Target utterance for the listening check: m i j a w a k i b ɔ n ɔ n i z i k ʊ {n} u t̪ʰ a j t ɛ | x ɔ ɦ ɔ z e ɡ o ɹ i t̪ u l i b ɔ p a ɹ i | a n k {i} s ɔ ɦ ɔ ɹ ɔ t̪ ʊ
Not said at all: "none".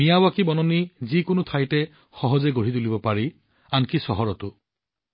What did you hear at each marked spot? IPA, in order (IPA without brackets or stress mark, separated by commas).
n, i